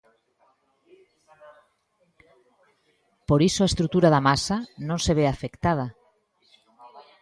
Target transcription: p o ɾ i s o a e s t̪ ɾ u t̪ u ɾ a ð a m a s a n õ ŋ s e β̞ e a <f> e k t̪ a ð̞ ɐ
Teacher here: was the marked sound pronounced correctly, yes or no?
yes